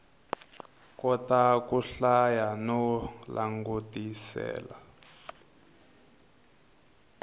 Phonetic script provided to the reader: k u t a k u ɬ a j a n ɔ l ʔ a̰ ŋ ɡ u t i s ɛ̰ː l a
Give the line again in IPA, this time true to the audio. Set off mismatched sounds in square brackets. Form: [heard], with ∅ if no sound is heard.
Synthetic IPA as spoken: k [ɔ] t a k u ɬ a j a n ɔ l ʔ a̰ ŋ ɡ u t i s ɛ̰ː l a